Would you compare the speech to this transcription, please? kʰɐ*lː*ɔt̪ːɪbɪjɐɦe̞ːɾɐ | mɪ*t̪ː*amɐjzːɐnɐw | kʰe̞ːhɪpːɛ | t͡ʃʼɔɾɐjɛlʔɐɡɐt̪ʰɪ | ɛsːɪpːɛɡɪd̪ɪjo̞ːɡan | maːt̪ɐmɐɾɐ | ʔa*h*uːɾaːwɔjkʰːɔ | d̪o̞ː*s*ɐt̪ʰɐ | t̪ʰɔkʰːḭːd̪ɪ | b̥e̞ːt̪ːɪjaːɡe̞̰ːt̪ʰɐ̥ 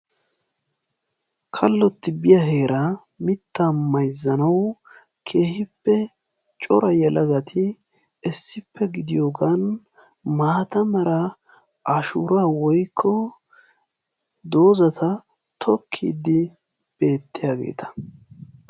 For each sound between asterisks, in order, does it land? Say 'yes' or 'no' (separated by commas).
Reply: yes, yes, no, no